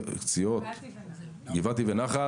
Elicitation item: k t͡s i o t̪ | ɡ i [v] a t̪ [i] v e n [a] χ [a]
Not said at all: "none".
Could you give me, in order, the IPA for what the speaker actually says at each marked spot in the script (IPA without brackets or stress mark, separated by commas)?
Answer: v, i, a, a